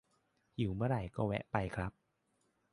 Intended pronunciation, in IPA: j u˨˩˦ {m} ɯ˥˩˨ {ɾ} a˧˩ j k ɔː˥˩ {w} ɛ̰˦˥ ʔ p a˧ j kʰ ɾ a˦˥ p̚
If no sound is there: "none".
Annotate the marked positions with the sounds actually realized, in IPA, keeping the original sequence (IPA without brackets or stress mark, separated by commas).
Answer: m, ɾ, w